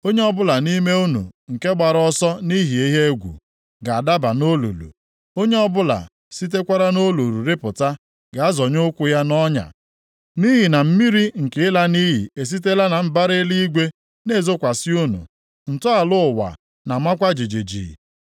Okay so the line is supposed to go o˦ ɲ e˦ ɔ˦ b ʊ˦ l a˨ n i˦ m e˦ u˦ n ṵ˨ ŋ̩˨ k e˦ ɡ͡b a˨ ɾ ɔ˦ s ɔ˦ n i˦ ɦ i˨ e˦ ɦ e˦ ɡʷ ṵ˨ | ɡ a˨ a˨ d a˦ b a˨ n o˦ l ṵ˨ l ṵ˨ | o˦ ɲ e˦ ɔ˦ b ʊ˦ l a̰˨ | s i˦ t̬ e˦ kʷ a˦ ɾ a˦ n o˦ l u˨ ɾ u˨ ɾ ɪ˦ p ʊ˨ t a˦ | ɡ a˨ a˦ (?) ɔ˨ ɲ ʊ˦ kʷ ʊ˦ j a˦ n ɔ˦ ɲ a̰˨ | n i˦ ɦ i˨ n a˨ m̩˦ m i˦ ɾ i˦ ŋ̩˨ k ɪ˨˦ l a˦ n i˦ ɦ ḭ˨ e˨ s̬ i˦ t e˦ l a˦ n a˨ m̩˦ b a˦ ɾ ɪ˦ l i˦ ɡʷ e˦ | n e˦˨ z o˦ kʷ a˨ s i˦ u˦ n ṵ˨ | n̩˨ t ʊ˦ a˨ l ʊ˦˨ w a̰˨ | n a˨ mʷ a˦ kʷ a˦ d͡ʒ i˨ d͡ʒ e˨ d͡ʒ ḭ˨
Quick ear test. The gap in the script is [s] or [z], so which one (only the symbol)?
z